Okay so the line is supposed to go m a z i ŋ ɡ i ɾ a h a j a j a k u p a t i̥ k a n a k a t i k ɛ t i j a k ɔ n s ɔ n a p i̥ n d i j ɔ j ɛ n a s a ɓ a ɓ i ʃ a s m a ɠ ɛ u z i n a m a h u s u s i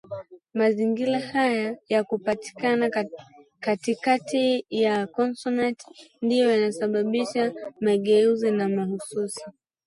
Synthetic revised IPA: m a z i ŋ ɡ i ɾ a h a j a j a k u p a t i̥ k a n a k a t i k a t i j a k ɔ n s ɔ n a t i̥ n d i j ɔ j a n a s a ɓ a ɓ i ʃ a m a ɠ ɛ u z i n a m a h u s u s i